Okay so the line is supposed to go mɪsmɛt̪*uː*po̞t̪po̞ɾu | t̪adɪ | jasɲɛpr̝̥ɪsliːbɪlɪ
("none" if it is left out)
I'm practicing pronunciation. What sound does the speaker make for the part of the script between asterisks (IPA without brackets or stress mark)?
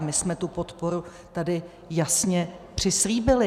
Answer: u